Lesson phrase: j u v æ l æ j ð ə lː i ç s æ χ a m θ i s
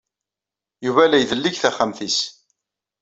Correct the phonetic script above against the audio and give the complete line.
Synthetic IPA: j u v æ l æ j ð ə lː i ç θ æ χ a m θ i s